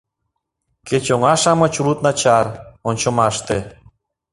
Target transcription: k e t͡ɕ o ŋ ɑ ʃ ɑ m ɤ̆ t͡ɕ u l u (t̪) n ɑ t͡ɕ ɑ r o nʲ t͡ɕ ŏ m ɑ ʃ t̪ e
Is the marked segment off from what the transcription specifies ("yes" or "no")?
no